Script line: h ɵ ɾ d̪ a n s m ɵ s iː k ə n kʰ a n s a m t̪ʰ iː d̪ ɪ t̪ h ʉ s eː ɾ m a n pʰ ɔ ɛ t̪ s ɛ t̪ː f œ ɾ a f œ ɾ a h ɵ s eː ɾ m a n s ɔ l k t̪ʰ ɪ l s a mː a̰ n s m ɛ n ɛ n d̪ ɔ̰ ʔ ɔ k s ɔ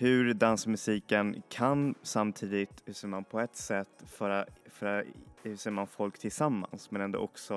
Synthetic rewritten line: h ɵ ɾ d̪ a n s m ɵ s iː k ə n kʰ a n s a m t̪ʰ iː d̪ ɪ t̪ h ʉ s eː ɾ m a n pʰ ɔ ɛ t̪ s ɛ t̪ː f œ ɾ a f œ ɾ a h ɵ s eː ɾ m a n f ɔ l k t̪ʰ ɪ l s a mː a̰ n s m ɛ n ɛ n d̪ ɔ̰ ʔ ɔ k s ɔ